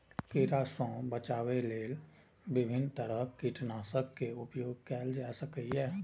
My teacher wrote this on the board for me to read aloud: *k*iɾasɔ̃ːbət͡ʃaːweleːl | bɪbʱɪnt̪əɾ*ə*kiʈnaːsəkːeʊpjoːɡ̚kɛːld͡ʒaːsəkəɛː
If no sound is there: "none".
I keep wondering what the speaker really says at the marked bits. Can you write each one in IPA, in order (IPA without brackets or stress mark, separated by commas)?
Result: k, ə